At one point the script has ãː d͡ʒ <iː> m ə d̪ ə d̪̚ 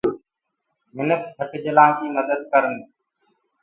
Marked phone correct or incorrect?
correct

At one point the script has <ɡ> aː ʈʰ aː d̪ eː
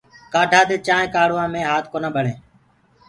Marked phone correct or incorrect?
incorrect: k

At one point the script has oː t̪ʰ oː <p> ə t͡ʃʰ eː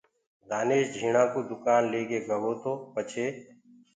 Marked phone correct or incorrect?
correct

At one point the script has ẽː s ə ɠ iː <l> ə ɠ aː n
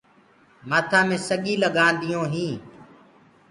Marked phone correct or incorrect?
correct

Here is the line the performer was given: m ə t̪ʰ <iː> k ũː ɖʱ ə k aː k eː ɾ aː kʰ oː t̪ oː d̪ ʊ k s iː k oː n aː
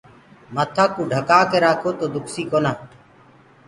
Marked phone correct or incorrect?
incorrect: aː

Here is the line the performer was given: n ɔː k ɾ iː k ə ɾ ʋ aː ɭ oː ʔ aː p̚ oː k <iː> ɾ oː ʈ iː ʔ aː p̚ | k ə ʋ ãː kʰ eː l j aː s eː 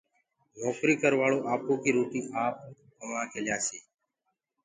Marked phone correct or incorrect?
correct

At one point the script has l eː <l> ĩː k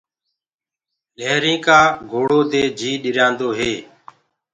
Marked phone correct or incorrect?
incorrect: ɾ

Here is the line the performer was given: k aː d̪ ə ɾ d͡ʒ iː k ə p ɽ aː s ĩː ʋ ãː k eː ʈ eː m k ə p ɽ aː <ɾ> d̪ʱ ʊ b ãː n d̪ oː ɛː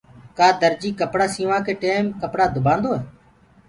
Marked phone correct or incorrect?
incorrect: none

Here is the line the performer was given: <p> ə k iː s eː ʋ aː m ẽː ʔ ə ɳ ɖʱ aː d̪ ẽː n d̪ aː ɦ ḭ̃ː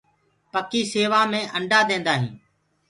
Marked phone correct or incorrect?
correct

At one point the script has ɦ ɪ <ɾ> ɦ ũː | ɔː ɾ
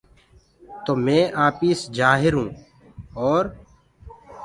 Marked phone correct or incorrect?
correct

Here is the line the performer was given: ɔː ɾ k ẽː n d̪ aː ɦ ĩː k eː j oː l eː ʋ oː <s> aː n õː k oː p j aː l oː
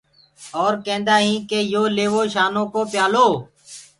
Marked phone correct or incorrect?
incorrect: ʃ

